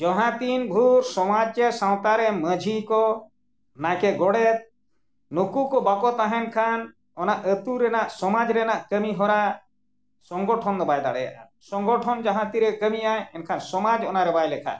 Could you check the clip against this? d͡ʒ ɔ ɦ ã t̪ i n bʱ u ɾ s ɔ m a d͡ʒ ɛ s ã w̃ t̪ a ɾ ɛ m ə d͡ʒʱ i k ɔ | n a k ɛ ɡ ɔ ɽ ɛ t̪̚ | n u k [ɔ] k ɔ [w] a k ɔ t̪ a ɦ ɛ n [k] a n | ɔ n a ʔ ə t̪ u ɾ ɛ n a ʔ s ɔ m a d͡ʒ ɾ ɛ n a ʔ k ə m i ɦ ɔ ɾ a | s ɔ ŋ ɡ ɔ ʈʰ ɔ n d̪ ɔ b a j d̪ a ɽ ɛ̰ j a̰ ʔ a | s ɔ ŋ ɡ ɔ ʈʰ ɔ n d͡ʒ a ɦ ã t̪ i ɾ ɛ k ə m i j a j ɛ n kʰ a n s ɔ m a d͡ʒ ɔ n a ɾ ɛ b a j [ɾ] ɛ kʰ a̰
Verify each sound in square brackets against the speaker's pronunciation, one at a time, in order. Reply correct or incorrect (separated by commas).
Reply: incorrect, incorrect, incorrect, incorrect